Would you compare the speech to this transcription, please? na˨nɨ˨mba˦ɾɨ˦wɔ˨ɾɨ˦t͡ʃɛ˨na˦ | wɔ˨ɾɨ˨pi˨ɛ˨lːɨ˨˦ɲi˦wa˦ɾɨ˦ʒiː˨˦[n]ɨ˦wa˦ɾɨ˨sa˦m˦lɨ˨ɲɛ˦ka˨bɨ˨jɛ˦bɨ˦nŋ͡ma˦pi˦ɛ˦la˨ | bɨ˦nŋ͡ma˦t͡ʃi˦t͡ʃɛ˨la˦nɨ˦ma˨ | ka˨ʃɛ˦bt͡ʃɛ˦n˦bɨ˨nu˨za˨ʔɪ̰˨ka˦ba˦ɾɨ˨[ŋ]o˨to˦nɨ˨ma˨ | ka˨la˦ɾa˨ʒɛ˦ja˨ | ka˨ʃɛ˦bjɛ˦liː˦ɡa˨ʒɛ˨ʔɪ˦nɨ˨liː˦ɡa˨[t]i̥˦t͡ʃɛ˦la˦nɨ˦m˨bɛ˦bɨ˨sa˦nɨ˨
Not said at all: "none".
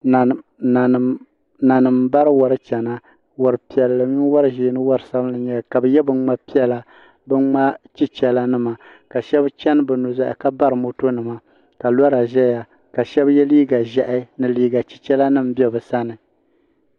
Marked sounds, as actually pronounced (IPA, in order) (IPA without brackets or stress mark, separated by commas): n, m, t͡ʃ